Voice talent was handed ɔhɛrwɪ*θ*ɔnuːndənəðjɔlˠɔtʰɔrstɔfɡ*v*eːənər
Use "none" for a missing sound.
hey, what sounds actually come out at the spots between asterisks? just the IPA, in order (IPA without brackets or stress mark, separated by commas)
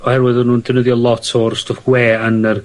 ð, w